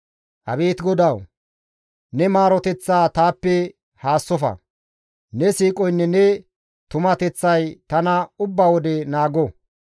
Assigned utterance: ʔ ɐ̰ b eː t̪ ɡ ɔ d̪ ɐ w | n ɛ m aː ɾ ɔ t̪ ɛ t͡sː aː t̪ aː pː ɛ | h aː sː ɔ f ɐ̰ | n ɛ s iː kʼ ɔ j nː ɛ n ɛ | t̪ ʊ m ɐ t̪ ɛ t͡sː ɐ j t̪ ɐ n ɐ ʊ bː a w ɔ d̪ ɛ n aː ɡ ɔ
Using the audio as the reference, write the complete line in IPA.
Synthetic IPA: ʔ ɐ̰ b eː t̪ ɡ ɔ d̪ ɐ w | n ɛ m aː ɾ ɔ t̪ ɛ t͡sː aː t̪ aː pː ɛ | h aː sː ɔ f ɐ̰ | n ɛ s iː kʼ ɔ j nː ɛ n ɛ | t̪ ʊ m ɐ t̪ ɛ t͡sː ɐ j t̪ ɐ n ɐ ʊ bː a w ɔ d̪ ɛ n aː ɡ ɔ